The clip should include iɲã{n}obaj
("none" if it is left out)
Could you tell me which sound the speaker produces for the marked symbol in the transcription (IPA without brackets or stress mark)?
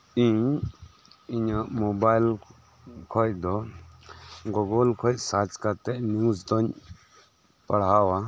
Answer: m